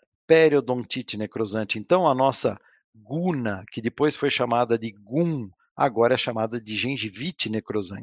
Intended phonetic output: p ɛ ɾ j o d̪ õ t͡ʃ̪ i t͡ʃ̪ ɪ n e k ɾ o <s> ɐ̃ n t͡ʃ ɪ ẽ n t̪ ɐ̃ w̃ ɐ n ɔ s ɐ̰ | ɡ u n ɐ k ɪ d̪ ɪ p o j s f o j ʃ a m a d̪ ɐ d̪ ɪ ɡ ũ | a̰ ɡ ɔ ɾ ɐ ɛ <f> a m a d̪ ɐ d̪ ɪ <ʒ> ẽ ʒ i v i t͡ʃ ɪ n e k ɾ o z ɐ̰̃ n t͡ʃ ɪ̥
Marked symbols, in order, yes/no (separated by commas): no, no, yes